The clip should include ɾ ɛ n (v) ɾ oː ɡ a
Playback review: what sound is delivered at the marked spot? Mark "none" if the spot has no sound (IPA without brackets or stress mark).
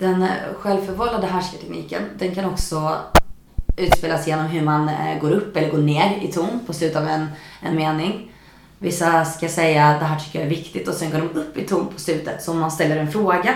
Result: f